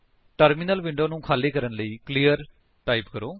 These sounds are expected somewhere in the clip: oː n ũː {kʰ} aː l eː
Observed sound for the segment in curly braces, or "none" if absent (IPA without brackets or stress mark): kʰ